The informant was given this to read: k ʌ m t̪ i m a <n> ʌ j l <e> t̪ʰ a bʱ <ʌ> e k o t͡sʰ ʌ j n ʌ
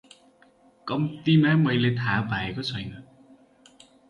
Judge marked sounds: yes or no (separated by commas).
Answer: no, yes, no